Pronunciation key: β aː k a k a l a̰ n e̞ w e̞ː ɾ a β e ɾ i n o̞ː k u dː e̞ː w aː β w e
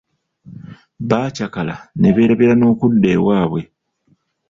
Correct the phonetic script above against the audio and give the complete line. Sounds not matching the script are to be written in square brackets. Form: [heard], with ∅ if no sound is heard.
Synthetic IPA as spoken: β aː [c] a k a l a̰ n e̞ [β] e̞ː ɾ a β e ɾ [a] n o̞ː k u dː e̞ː w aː β w e